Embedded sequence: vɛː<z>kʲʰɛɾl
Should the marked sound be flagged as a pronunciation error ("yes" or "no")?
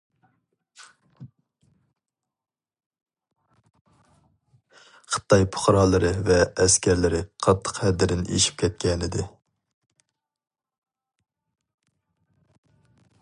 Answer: yes